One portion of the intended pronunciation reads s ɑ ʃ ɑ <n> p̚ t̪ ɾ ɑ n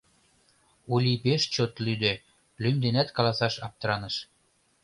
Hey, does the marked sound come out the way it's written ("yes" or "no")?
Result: no